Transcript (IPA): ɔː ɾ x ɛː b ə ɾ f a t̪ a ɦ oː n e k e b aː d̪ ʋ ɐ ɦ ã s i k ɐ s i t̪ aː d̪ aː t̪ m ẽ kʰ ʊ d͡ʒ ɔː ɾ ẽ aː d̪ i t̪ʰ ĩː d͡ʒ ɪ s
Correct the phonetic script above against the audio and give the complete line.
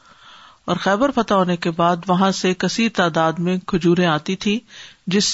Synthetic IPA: ɔː ɾ x ɛː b ə ɾ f ɐ t̪ a ɦ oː n e k e b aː d̪ ʋ ɐ ɦ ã s e k ɐ s i t̪ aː d̪ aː d̪ m ẽ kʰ ʊ d͡ʒ uː ɾ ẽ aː t̪ i t̪ʰ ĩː d͡ʒ ɪ s